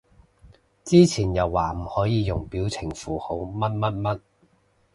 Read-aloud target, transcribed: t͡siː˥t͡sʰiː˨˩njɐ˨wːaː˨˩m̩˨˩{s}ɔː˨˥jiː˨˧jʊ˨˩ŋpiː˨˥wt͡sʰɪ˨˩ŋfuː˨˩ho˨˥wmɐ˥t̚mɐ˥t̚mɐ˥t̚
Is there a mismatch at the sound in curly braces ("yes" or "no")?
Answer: yes